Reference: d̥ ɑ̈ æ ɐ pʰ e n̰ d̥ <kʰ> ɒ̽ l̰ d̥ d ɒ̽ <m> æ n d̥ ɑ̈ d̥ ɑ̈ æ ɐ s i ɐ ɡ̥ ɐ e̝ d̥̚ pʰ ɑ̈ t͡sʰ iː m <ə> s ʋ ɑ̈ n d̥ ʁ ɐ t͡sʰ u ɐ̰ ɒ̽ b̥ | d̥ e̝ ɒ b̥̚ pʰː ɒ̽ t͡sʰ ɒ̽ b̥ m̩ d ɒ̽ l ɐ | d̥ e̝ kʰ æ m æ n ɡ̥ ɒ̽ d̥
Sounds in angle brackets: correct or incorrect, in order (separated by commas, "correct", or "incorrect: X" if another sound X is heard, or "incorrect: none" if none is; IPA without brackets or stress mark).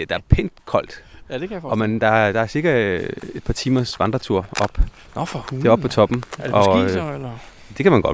correct, correct, incorrect: ɐ